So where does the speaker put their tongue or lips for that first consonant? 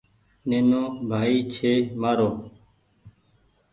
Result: tongue tip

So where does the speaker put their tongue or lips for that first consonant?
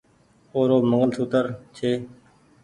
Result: tongue tip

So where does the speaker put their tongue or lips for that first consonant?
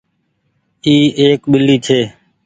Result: velum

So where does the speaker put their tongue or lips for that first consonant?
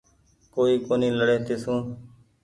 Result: velum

